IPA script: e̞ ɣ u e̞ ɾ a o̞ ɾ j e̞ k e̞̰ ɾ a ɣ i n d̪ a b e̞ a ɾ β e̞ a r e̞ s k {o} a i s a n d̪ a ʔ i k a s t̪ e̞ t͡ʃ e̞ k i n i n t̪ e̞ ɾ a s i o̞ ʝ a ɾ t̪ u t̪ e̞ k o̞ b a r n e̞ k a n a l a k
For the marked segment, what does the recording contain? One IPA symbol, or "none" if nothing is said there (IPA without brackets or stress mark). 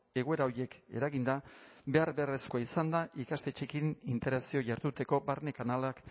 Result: o